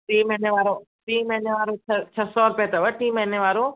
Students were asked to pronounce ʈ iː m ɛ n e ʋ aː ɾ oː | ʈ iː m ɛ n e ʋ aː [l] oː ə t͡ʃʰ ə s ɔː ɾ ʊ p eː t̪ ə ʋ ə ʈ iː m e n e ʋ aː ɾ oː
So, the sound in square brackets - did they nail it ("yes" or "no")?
no